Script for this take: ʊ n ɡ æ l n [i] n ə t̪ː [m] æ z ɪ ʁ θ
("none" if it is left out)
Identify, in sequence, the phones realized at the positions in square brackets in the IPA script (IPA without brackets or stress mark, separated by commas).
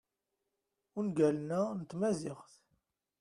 æ, m